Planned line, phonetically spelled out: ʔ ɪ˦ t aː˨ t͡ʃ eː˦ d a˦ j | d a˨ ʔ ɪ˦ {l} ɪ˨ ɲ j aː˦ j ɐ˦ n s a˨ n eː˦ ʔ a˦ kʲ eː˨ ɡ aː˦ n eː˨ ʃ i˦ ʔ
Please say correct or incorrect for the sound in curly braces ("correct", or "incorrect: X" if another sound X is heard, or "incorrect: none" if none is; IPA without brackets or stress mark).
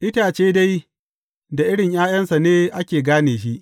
incorrect: ɽ